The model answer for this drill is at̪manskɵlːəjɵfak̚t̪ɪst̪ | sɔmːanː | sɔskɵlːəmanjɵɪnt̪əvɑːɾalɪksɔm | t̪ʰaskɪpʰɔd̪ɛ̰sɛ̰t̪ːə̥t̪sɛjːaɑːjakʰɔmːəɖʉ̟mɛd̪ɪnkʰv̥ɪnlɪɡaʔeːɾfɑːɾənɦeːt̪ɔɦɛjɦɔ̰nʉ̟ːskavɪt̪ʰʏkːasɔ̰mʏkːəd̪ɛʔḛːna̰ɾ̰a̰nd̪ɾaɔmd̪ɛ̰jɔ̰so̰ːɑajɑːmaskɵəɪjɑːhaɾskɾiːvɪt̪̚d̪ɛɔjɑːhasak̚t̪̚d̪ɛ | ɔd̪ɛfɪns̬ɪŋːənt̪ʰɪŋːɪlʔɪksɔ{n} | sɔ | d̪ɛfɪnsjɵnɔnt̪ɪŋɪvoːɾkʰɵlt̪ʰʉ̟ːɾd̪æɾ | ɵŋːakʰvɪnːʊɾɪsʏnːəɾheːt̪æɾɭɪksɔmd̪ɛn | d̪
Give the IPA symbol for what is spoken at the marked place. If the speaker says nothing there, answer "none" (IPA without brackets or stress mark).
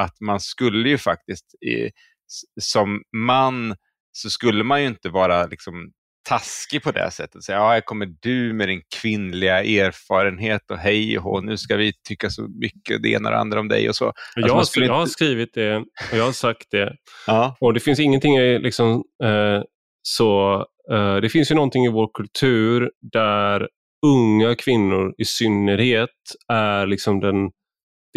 m